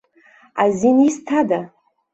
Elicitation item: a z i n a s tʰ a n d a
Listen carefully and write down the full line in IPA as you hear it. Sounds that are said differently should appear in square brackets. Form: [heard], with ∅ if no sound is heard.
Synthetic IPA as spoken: a z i n [i] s tʰ a [∅] d a